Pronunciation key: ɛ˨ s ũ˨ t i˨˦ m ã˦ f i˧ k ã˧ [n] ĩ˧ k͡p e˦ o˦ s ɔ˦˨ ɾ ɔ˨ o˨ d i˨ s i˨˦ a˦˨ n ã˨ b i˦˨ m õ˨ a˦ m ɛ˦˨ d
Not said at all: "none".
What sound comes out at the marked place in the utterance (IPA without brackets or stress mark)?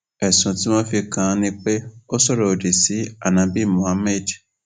n